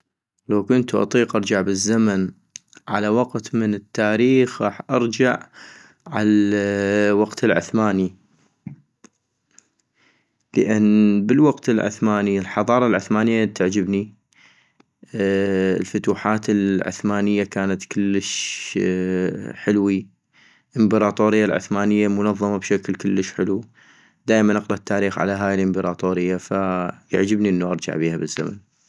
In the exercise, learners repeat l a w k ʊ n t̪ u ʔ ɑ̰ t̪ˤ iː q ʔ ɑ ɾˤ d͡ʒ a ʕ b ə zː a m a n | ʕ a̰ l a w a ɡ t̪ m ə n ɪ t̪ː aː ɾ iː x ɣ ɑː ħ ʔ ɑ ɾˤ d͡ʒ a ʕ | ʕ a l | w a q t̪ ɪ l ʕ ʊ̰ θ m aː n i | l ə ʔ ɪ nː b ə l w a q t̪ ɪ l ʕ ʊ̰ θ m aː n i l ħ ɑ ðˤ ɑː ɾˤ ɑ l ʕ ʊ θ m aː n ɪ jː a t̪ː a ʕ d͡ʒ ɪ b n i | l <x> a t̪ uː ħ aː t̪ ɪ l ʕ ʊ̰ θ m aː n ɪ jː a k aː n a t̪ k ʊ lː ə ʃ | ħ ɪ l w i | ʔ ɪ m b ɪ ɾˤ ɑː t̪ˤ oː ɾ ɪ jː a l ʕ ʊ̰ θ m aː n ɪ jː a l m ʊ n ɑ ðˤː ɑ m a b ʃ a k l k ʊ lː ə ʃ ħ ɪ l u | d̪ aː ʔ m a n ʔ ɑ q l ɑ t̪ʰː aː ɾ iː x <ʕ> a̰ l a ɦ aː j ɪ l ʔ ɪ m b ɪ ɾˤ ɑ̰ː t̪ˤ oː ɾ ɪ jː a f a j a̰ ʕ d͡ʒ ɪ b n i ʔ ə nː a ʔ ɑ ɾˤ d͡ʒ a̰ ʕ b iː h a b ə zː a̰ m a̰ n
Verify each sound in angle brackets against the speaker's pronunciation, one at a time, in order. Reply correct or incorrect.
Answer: incorrect: f, correct

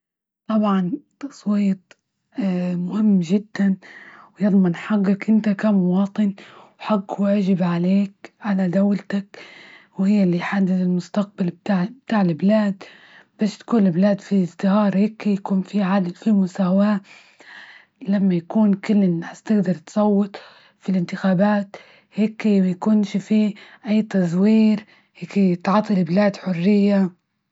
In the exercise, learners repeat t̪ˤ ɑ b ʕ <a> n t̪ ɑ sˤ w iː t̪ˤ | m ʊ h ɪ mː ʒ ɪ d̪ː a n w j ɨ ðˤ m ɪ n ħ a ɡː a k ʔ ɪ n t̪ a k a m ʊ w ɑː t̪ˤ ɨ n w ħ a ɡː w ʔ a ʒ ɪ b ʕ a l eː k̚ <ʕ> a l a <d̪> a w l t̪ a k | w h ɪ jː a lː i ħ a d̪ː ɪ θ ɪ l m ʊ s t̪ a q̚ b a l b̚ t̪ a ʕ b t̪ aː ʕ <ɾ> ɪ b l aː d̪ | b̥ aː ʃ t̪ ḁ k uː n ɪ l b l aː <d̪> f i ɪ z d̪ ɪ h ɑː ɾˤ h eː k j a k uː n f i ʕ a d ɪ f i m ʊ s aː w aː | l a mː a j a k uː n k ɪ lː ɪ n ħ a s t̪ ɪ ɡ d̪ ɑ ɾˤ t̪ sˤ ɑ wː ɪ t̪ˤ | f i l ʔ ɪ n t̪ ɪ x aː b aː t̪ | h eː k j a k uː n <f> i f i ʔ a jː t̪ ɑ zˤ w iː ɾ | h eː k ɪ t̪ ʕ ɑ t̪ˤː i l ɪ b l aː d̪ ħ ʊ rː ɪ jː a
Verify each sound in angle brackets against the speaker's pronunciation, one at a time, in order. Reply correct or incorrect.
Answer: incorrect: ɑ, correct, correct, incorrect: l, correct, incorrect: ʃ

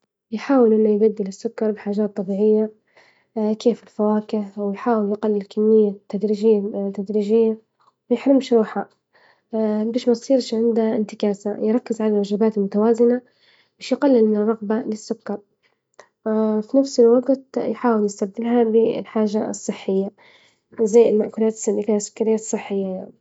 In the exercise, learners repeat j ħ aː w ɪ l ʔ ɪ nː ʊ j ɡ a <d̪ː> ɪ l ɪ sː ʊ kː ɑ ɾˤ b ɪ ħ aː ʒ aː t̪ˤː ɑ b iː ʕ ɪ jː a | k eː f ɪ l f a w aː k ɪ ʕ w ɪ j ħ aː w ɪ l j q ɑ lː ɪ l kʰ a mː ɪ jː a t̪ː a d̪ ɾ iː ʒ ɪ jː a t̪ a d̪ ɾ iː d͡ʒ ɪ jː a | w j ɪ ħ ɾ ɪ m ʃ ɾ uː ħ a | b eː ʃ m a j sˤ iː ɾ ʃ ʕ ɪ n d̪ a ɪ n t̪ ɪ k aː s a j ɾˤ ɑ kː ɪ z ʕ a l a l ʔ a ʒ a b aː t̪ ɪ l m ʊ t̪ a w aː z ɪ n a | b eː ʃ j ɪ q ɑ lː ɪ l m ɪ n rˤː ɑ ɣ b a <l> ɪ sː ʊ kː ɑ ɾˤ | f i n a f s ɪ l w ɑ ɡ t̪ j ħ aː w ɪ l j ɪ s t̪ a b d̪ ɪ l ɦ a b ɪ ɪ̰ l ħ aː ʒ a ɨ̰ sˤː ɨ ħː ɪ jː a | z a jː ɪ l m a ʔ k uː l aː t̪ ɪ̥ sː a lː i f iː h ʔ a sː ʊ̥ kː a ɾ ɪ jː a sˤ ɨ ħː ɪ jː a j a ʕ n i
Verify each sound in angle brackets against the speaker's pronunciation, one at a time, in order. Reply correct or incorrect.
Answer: correct, correct

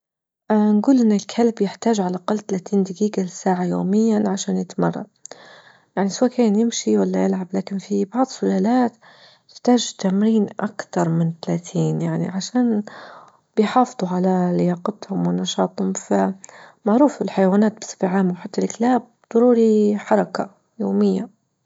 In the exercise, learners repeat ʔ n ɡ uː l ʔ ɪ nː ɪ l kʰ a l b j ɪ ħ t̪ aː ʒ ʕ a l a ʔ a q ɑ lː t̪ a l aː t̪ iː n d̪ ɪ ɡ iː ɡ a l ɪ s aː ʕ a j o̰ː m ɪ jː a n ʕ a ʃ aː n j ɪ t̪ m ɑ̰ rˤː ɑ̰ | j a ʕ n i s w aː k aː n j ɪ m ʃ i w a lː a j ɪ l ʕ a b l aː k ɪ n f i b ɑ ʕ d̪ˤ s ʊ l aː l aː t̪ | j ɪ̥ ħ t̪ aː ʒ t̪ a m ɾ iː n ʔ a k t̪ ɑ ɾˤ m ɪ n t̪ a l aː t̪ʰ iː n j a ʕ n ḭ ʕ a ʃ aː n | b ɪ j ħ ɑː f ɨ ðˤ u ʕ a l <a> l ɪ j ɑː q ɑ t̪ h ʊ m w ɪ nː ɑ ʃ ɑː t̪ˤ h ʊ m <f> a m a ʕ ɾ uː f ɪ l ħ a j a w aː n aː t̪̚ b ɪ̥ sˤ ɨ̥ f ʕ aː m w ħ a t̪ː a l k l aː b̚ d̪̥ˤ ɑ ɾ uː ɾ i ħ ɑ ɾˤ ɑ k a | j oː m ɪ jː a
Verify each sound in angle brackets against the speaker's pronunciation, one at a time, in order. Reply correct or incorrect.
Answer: correct, correct

